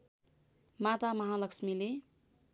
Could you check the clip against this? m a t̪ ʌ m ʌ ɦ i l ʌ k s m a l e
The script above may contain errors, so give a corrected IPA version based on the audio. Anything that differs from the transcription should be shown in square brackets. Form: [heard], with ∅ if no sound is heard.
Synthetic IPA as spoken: m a t̪ [a] m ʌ ɦ [a] l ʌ k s m [i] l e